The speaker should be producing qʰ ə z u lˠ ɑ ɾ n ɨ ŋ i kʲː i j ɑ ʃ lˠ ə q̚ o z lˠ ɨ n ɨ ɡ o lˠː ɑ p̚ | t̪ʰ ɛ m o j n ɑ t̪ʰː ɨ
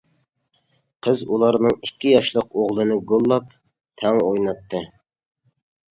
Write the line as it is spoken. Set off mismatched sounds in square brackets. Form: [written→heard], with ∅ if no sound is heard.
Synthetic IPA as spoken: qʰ ə z u lˠ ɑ ɾ n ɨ ŋ i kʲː i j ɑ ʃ lˠ ə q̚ o [z→ʁ] lˠ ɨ n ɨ ɡ o lˠː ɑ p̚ | t̪ʰ ɛ [m→ŋ] o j n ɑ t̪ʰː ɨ